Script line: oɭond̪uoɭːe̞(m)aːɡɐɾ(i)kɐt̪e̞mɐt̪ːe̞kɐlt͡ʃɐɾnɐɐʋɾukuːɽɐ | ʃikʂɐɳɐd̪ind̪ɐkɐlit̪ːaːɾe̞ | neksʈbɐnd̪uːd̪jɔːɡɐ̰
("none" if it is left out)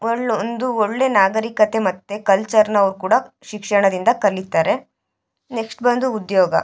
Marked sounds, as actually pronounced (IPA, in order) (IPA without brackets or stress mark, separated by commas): n, i